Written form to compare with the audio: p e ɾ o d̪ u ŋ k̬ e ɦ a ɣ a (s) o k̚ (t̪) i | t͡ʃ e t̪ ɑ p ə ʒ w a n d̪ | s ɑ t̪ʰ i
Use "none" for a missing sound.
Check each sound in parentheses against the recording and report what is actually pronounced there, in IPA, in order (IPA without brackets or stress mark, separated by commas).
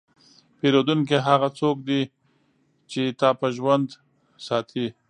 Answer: t͡s, d̪